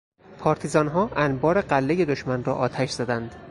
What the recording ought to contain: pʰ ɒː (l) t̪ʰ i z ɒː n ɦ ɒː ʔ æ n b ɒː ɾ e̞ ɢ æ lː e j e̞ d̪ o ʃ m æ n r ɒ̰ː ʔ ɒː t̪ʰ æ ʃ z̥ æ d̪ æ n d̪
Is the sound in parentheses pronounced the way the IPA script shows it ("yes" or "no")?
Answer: no